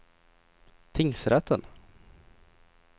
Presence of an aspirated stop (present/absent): present